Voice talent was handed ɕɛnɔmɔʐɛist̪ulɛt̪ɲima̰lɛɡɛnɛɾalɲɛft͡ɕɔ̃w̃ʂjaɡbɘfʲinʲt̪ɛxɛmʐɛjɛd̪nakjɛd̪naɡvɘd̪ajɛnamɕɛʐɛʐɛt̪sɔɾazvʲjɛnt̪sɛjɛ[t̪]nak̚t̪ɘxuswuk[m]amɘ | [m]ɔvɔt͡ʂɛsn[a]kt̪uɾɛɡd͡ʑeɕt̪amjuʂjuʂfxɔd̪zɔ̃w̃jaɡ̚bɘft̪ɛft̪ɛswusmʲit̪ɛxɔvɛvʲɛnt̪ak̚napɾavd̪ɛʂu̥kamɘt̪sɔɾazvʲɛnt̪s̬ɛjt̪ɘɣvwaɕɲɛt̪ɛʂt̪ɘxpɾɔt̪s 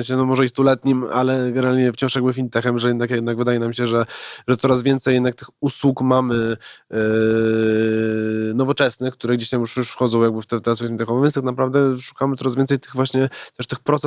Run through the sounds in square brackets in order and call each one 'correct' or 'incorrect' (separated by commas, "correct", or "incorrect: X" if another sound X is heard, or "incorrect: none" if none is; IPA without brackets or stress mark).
incorrect: d̪, correct, incorrect: n, incorrect: ɛ